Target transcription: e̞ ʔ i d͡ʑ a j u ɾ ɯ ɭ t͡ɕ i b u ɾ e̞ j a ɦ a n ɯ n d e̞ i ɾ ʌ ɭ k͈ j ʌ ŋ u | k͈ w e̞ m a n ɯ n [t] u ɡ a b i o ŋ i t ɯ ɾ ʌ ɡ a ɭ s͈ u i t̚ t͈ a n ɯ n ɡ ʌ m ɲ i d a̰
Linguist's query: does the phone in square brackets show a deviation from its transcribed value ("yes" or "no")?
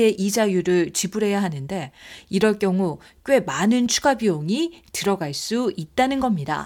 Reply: yes